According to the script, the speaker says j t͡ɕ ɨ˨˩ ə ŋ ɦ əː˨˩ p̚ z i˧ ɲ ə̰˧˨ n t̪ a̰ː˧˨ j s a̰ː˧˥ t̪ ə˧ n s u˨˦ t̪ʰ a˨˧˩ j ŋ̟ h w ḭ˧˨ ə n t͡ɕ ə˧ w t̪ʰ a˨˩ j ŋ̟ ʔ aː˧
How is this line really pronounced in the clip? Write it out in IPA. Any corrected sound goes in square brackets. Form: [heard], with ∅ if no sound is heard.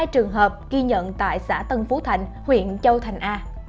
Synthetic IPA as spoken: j t͡ɕ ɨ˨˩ ə ŋ ɦ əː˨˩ p̚ [ɣ] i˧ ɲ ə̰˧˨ n t̪ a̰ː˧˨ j s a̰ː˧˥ t̪ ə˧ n [f] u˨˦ t̪ʰ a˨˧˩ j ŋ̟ h w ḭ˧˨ ə n t͡ɕ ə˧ w t̪ʰ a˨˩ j ŋ̟ ʔ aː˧